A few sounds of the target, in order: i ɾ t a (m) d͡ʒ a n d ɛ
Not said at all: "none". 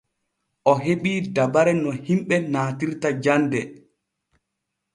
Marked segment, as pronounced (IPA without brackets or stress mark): none